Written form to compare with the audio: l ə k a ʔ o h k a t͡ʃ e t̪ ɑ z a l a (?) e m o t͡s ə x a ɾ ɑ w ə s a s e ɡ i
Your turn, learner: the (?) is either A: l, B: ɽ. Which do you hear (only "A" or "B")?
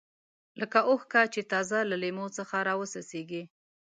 A